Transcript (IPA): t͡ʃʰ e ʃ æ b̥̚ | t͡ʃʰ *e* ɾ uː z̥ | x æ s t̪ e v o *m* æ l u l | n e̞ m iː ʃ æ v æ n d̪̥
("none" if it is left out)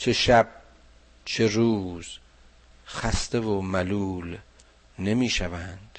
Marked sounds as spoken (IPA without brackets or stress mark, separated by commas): e, m